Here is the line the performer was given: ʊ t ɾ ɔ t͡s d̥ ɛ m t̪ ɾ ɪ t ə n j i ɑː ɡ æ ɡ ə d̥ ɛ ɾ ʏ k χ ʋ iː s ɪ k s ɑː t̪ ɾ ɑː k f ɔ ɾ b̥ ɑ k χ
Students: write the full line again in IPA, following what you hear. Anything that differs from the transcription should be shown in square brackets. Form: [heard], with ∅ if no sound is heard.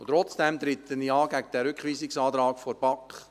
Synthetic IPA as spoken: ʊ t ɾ ɔ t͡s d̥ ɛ m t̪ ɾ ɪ t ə n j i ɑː ɡ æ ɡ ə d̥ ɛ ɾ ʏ k χ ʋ iː s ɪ k s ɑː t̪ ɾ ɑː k f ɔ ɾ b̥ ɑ k χ